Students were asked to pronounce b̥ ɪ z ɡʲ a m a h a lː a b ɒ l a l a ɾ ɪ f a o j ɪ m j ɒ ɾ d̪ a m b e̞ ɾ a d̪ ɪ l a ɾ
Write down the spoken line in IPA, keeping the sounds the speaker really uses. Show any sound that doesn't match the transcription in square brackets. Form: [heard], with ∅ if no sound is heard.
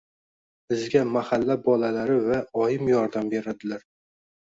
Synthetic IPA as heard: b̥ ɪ z ɡʲ a m a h a lː a b ɒ l a l a ɾ ɪ [v] a [ɒ] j ɪ m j ɒ ɾ d̪ a m b e̞ ɾ a d̪ ɪ l a ɾ

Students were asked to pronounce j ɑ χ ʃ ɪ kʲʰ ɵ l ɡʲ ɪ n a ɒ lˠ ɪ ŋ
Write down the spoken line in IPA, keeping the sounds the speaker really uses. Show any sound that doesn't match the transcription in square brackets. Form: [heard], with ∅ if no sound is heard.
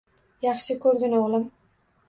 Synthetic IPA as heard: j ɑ χ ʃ ɪ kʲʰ ɵ [ɾ] ɡʲ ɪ n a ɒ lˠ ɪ [m]

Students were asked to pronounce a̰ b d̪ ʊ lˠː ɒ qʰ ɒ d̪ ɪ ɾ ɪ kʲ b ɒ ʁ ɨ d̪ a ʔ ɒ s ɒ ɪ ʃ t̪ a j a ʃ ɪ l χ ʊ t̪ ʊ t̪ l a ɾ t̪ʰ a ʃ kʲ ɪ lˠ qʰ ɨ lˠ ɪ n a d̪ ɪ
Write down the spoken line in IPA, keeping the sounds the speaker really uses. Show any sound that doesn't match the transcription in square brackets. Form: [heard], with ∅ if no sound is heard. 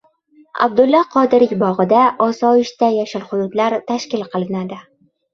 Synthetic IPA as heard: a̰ b d̪ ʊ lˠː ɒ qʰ ɒ d̪ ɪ ɾ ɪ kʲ b ɒ ʁ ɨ d̪ a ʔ ɒ s ɒ ɪ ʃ t̪ a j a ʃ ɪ l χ ʊ [d̪] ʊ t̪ l a ɾ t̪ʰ a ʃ kʲ ɪ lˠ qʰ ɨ lˠ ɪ n a d̪ ɪ

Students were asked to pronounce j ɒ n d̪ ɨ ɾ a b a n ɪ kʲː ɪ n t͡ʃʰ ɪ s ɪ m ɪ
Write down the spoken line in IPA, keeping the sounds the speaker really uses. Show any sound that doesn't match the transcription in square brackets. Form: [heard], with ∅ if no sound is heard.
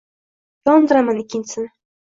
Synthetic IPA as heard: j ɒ n d̪ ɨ ɾ a [m] a n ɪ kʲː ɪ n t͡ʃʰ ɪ s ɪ [n] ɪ

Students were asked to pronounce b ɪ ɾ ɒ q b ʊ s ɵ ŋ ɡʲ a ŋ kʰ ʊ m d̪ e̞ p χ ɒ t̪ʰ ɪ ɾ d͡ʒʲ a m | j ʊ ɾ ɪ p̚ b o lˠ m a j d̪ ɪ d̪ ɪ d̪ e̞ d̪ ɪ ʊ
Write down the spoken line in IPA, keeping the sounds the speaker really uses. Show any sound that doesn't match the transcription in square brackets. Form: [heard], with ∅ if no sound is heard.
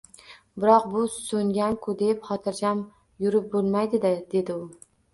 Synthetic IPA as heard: b ɪ ɾ ɒ q b ʊ s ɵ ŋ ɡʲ a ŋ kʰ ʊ [∅] d̪ e̞ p χ ɒ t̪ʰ ɪ ɾ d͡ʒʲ a m | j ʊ ɾ ɪ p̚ b o lˠ m a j d̪ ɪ d̪ ɪ d̪ e̞ d̪ ɪ ʊ

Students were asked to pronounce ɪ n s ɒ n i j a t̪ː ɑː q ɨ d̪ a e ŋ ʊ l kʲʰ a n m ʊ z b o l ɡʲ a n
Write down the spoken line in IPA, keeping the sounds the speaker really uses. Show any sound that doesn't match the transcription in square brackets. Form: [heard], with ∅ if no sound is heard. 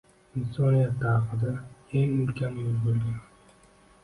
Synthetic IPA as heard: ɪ n s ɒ n i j a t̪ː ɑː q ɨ d̪ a e ŋ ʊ l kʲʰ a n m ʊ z b o l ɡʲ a n

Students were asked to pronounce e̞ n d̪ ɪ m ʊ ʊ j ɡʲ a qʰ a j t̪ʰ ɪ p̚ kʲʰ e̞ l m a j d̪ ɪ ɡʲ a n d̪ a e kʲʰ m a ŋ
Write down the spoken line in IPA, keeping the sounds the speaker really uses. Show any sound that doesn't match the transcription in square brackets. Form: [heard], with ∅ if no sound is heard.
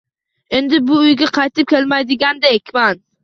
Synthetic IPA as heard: e̞ n d̪ ɪ [b] ʊ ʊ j ɡʲ a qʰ [ɑ] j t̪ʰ ɪ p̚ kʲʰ e̞ l m a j d̪ ɪ ɡʲ a n d̪ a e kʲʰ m a [n]

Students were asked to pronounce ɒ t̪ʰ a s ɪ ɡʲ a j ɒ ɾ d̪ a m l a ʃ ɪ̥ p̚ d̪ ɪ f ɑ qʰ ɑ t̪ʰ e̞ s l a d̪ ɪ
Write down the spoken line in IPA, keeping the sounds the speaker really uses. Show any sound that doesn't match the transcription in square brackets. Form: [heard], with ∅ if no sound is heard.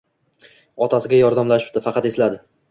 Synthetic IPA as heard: ɒ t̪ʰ a s ɪ ɡʲ a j ɒ ɾ d̪ a m l a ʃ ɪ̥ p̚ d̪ ɪ f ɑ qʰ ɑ [t̪] e̞ s l a d̪ ɪ

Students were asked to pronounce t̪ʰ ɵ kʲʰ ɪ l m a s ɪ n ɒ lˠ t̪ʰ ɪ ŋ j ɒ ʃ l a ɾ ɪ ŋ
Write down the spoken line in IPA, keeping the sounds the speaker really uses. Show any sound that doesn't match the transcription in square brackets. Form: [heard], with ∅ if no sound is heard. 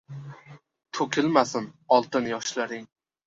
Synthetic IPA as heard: t̪ʰ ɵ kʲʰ ɪ l m a s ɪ n ɒ lˠ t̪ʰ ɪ [n] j ɒ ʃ l a ɾ ɪ ŋ

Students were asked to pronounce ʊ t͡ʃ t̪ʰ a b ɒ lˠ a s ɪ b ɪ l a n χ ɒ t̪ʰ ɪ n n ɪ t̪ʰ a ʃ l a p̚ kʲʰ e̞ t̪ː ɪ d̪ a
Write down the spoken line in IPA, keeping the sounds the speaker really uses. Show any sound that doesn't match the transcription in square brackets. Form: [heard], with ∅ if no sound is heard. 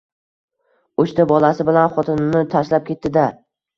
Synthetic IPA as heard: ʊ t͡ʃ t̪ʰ a b ɒ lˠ a s ɪ b ɪ l a n χ ɒ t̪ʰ ɪ n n ɪ t̪ʰ a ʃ l a p̚ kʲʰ e̞ t̪ː ɪ d̪ a

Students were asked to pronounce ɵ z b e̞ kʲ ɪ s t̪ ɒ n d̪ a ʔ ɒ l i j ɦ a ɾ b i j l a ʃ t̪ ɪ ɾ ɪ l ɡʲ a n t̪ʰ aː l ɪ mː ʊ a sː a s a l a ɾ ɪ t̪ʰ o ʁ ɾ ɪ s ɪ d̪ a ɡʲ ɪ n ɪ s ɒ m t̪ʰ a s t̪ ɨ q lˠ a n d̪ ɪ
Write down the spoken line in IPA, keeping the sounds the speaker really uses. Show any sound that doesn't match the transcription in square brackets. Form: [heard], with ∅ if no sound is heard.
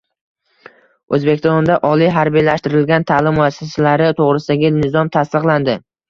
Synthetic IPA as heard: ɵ z b e̞ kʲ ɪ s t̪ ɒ n d̪ a ʔ ɒ l i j ɦ a ɾ b i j l a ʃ t̪ ɪ ɾ ɪ l ɡʲ a n t̪ʰ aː l ɪ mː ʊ a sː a s a l a ɾ ɪ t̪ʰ o ʁ ɾ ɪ s ɪ d̪ a ɡʲ ɪ n ɪ [z] ɒ m t̪ʰ a s t̪ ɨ q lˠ a n d̪ ɪ

